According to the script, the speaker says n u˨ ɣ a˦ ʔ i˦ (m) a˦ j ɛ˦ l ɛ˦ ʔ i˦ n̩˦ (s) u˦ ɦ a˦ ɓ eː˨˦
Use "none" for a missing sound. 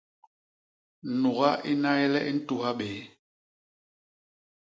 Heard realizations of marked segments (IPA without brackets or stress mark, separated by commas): n, t